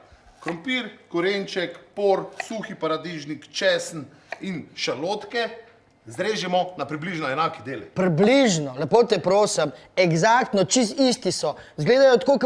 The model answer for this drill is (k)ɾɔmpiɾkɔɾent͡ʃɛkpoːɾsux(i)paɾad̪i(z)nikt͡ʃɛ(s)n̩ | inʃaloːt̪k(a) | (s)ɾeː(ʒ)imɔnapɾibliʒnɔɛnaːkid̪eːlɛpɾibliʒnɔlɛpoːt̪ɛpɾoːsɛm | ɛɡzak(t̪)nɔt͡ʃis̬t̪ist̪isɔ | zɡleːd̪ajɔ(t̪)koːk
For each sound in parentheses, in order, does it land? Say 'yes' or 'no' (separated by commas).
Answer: yes, yes, no, yes, no, no, yes, yes, yes